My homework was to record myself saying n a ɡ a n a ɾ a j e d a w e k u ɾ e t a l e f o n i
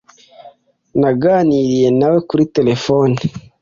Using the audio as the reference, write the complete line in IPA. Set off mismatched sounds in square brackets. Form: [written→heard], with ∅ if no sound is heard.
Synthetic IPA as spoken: n a ɡ a n [a→i] ɾ [a→i] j e [d→n] a w e k u ɾ [e→i] t [a→e] l e f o n i